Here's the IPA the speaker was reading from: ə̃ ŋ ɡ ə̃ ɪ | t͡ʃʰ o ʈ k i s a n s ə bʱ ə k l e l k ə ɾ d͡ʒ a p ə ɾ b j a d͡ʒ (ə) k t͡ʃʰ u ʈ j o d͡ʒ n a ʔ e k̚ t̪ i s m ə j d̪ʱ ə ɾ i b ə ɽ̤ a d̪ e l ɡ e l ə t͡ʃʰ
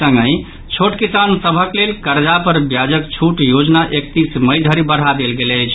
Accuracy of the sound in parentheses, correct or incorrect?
correct